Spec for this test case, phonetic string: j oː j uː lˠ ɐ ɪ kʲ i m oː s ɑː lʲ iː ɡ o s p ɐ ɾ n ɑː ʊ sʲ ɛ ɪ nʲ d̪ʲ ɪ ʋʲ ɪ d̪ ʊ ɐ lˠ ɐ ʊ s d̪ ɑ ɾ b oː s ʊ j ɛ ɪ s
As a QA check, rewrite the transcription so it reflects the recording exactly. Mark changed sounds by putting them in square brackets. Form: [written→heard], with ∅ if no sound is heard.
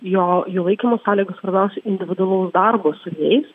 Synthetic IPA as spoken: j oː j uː lˠ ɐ ɪ kʲ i m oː s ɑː lʲ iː ɡ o s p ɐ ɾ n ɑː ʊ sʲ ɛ ɪ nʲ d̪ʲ ɪ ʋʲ ɪ d̪ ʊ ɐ lˠ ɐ ʊ s d̪ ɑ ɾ b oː s ʊ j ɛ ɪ s